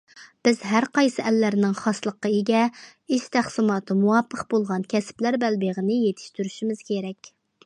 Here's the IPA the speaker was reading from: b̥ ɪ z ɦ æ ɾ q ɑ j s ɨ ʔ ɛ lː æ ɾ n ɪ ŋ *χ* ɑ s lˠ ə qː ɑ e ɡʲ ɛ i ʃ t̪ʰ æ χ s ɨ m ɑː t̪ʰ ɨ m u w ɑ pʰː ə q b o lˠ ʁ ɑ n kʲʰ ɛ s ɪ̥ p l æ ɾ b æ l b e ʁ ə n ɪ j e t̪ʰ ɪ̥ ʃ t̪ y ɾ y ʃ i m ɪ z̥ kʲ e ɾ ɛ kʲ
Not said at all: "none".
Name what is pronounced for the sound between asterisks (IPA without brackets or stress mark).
χ